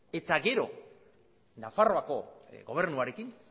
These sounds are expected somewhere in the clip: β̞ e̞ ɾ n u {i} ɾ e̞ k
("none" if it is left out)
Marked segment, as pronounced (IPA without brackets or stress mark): a